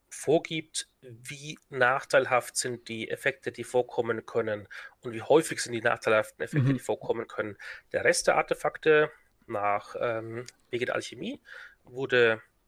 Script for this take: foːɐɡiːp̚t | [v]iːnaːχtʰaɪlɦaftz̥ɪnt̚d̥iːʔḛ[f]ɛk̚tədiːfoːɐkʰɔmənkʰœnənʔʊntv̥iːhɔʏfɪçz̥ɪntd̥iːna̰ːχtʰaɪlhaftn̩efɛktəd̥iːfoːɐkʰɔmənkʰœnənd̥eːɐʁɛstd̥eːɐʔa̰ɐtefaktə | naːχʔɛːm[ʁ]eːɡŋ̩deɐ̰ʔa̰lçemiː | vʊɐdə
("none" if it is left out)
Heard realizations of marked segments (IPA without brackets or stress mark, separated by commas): v, f, v